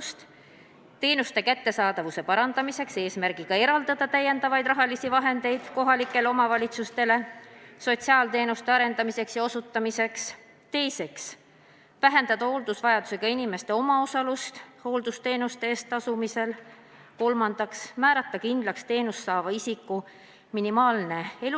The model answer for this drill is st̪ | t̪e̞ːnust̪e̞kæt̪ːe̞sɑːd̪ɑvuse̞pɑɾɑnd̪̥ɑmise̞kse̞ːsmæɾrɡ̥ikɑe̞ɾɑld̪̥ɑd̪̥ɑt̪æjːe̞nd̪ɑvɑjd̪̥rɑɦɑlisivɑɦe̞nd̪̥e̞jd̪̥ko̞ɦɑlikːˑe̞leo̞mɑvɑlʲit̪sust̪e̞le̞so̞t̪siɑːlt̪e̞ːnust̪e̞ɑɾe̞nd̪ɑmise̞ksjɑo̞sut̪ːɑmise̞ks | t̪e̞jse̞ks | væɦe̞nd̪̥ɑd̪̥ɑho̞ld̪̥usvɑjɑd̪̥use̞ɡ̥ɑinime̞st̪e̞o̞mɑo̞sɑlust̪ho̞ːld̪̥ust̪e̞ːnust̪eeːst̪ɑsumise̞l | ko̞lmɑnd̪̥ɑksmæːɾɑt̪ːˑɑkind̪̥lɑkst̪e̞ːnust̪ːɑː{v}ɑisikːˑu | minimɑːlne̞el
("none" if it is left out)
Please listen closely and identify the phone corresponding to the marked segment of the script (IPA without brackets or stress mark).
v